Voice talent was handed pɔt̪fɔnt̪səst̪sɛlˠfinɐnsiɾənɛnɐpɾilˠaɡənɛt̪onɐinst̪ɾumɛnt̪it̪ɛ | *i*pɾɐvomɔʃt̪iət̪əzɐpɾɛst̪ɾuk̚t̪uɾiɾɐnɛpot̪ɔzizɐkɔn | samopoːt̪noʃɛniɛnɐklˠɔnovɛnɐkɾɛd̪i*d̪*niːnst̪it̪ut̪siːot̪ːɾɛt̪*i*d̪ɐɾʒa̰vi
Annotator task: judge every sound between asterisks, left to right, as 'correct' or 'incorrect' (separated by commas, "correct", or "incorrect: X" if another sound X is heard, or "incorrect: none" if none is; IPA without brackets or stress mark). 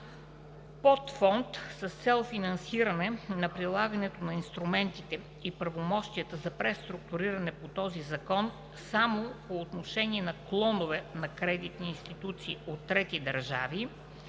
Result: correct, incorrect: t̪, correct